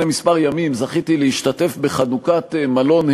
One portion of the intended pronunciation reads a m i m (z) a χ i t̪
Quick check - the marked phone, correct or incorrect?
correct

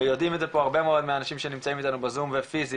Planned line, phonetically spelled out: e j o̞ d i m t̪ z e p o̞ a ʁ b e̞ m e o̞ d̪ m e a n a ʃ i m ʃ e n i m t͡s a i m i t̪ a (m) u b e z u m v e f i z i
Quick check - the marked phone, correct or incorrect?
incorrect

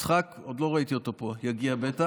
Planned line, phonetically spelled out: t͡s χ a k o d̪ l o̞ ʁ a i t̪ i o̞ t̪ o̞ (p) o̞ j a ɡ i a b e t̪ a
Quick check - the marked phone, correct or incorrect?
correct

